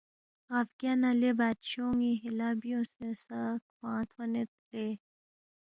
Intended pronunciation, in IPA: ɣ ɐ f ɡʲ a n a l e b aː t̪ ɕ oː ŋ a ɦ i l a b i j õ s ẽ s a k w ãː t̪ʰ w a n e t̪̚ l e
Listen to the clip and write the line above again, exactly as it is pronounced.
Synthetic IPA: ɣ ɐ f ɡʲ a n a l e b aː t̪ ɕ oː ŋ i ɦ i l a b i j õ s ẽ s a k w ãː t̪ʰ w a n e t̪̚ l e